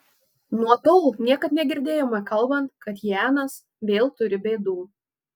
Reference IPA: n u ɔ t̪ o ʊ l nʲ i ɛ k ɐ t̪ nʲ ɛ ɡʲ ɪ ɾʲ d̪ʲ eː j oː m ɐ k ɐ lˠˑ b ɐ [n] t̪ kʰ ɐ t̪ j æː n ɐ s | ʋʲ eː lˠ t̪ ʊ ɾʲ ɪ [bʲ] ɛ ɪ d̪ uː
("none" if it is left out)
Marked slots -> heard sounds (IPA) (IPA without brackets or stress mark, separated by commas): n, bʲ